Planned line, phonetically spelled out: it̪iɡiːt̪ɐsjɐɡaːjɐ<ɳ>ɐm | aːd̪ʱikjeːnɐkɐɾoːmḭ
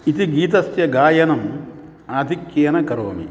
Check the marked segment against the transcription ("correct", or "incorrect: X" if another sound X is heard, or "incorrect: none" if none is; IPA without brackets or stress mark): incorrect: n